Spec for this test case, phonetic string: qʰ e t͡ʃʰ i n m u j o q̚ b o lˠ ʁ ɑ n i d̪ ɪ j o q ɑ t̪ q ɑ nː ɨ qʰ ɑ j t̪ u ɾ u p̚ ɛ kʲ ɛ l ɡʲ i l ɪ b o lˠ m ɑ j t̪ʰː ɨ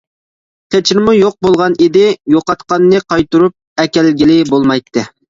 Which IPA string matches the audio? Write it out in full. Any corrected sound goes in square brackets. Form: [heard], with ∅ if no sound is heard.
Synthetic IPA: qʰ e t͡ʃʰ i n m u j o q̚ b o lˠ ʁ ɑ n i d̪ ɪ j o q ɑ t̪ q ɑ nː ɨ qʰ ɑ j t̪ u ɾ u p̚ ɛ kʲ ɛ l ɡʲ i l ɪ b o lˠ m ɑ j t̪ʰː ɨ

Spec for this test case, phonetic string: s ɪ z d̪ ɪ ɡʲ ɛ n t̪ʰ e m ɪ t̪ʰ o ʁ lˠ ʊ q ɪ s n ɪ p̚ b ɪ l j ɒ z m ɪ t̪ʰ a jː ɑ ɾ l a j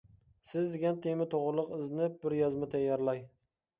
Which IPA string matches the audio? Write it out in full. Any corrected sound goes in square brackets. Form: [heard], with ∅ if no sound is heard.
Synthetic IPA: s ɪ z d̪ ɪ ɡʲ [a] n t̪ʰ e m ɪ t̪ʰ o ʁ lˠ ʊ q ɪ [z] n ɪ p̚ b ɪ [ɾ] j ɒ z m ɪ t̪ʰ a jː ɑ ɾ l a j

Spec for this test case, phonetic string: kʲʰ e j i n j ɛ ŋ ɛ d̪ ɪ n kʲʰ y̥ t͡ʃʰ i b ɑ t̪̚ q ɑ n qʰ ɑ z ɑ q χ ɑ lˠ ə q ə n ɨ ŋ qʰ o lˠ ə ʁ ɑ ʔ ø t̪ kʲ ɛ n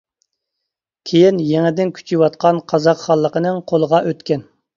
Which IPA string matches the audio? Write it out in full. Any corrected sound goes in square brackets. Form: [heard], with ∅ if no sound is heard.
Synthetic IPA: kʲʰ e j i n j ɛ ŋ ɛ d̪ ɪ n kʲʰ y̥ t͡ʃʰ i [w] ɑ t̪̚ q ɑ n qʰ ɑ z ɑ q χ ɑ [lˠː] ə q ə n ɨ ŋ qʰ o lˠ ə ʁ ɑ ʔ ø t̪ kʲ ɛ n

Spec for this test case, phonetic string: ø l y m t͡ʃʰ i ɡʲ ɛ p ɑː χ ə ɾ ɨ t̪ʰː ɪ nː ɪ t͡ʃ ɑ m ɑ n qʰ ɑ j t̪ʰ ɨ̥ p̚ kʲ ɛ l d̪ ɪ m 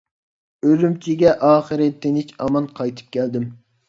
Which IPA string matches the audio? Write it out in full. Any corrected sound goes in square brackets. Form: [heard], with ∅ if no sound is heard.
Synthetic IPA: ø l y m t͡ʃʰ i ɡʲ ɛ [ʔ] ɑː χ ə ɾ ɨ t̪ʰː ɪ [n] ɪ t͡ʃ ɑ m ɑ n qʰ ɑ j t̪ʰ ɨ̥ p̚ kʲ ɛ l d̪ ɪ m

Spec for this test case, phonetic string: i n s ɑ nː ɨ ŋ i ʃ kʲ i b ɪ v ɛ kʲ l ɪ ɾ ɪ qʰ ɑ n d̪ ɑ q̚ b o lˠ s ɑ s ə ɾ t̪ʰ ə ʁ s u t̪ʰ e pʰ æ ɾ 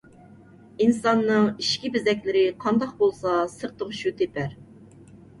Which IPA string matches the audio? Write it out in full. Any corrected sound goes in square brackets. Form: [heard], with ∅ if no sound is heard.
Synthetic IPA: i n s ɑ nː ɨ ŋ i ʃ kʲ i b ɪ [z] ɛ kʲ l ɪ ɾ ɪ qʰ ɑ n d̪ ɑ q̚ b o lˠ s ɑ s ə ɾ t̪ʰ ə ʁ [ʃ] u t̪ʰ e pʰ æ ɾ

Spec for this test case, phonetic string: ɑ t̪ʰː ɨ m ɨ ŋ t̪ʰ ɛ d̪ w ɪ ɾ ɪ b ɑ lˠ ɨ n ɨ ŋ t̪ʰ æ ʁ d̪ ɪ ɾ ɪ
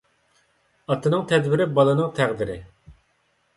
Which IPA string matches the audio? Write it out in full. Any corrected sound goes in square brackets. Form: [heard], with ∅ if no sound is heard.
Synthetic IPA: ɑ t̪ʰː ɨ [n] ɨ ŋ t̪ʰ ɛ d̪ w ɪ ɾ ɪ b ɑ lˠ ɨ n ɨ ŋ t̪ʰ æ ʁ d̪ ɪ ɾ ɪ

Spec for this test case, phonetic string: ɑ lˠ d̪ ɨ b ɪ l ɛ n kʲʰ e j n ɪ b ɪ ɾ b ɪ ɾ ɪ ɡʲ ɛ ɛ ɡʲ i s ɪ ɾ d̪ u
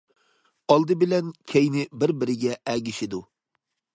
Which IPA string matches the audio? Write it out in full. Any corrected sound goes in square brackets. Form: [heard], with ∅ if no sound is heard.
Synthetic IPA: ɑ lˠ d̪ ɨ b ɪ l ɛ n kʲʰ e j n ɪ b ɪ ɾ b ɪ ɾ ɪ ɡʲ ɛ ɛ ɡʲ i [ʃ] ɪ [∅] d̪ u

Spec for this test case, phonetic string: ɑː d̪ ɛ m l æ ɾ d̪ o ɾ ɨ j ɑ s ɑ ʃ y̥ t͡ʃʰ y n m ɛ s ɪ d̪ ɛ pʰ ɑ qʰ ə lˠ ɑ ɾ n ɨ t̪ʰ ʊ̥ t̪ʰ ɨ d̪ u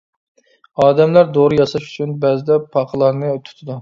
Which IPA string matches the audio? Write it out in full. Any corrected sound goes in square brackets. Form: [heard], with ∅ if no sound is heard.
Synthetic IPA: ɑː d̪ ɛ m l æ ɾ d̪ o ɾ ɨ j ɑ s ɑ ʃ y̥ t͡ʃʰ y n [b] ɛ [z] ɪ d̪ ɛ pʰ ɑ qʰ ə lˠ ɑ ɾ n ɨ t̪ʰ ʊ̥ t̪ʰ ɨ d̪ u

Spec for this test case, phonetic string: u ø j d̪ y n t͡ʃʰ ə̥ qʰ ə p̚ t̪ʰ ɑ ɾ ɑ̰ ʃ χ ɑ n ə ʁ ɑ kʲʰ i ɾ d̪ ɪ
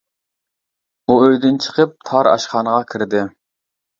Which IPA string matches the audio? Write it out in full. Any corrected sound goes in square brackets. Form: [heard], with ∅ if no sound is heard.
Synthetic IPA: u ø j d̪ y n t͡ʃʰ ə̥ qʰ ə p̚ t̪ʰ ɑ ɾ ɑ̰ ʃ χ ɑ n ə ʁ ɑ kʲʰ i ɾ d̪ ɪ

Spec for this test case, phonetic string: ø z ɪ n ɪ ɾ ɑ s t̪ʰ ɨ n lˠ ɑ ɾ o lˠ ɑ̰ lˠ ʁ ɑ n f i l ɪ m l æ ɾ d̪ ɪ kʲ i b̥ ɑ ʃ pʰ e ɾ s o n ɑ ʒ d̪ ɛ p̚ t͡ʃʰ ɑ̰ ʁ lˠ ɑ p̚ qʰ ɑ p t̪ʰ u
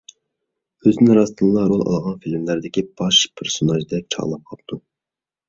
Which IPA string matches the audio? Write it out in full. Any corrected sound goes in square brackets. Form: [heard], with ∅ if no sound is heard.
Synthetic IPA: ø z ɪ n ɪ ɾ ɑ s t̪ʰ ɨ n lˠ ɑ ɾ o lˠ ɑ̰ lˠ ʁ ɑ n f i l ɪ m l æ ɾ d̪ ɪ kʲ i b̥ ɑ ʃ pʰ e ɾ s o n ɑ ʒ d̪ ɛ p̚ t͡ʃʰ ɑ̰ ʁ lˠ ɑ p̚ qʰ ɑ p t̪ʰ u

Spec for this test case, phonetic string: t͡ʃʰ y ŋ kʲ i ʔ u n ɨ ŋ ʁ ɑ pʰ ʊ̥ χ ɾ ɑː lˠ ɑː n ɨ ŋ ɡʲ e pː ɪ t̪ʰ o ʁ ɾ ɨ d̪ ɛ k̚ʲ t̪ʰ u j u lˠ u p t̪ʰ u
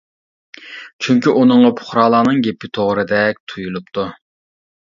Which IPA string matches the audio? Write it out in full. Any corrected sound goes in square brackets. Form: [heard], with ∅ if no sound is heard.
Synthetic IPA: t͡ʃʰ y ŋ kʲ i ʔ u n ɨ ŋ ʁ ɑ pʰ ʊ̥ χ ɾ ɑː lˠ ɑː n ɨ ŋ ɡʲ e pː ɪ t̪ʰ o ʁ ɾ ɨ d̪ ɛ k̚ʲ t̪ʰ u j u lˠ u p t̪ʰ u

